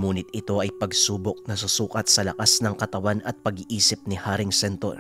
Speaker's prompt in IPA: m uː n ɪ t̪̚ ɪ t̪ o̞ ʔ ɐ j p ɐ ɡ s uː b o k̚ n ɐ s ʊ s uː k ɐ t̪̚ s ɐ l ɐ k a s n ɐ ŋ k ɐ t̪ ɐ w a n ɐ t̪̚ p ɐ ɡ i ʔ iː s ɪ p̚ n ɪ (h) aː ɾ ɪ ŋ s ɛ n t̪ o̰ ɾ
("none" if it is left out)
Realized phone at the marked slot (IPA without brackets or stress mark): h